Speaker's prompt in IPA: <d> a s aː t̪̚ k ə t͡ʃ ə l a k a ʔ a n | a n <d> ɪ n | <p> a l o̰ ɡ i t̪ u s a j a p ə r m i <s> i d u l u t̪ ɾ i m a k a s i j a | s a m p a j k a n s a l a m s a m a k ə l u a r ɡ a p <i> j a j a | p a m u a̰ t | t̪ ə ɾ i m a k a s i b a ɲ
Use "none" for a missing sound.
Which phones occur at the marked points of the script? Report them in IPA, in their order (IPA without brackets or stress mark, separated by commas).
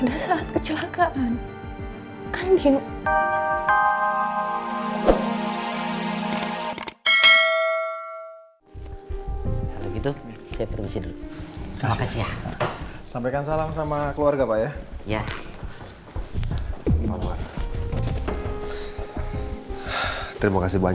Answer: d, d, k, s, a